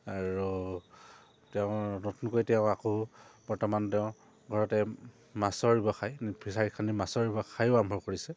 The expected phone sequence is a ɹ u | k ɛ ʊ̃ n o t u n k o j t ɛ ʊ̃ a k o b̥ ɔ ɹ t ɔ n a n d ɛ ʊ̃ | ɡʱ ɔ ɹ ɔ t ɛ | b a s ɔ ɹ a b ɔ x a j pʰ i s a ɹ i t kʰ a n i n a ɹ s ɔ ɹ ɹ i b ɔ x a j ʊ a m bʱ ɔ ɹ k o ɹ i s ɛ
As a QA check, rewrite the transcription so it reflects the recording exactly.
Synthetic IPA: a ɹ u | t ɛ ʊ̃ n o t u n k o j t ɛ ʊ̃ a k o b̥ ɔ ɹ t ɔ m a n t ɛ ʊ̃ | ɡʱ ɔ ɹ ɔ t ɛ | m a s ɔ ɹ i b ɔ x a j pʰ i s a ɹ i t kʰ a n i m a s ɔ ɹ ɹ i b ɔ x a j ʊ a m bʱ ɔ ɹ k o ɹ i s ɛ

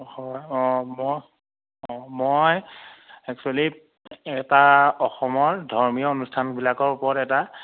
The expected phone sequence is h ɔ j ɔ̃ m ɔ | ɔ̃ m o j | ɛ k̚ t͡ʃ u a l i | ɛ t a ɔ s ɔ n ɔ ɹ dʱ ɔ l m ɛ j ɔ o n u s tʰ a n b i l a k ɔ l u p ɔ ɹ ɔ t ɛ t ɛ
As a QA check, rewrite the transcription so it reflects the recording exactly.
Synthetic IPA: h ɔ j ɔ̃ m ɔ | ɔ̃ m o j | ɛ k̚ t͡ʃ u a l i | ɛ t a ɔ x ɔ m ɔ ɹ dʱ ɔ ɹ m i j ɔ o n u s tʰ a n b i l a k ɔ ɹ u p ɔ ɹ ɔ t ɛ t a

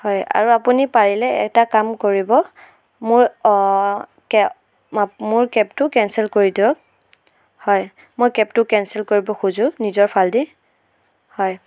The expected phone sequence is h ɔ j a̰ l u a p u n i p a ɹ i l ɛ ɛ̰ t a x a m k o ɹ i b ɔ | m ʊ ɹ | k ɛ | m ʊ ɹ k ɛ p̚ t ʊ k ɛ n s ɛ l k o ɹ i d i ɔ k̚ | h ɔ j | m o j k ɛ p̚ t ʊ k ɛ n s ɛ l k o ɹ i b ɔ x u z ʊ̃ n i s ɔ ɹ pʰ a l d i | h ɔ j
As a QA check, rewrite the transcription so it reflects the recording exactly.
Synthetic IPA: h ɔ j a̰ ɹ u a p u n i p a ɹ i l ɛ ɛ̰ t a k a m k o ɹ i b ɔ | m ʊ ɹ | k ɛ | m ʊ ɹ k ɛ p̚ t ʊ k ɛ n s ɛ l k o ɹ i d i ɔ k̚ | h ɔ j | m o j k ɛ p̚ t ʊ k ɛ n s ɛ l k o ɹ i b ɔ x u z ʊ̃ n i z ɔ ɹ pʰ a l d i | h ɔ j

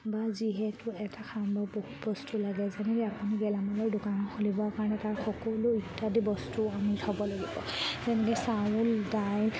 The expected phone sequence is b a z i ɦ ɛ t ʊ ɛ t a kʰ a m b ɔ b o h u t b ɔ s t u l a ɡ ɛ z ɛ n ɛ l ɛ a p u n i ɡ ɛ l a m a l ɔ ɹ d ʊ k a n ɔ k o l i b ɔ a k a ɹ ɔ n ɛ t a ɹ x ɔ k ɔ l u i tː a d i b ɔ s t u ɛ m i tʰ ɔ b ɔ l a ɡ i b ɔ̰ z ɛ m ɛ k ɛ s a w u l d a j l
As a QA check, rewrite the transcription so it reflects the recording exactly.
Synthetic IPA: b a z i ɦ ɛ t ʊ ɛ t a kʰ a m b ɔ b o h u t b ɔ s t u l a ɡ ɛ z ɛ n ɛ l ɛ a p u n i ɡ ɛ l a m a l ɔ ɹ d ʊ k a n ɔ x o l i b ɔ a k a ɹ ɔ n ɛ t a ɹ x ɔ k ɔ l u i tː a d i b ɔ s t u a m i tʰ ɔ b ɔ l a ɡ i b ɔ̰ z ɛ n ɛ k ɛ s a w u l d a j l

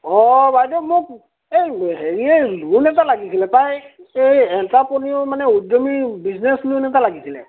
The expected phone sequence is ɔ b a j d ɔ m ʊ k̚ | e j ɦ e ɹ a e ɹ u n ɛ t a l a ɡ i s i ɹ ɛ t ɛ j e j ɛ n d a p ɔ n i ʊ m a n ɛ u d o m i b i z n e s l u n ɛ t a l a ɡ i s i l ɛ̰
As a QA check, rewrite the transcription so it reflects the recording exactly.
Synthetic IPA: ɔ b a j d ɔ m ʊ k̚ | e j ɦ e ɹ i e l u n ɛ t a l a ɡ i s i l ɛ t a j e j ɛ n t a p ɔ n i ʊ m a n ɛ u d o m i b i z n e s l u n ɛ t a l a ɡ i s i l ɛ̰

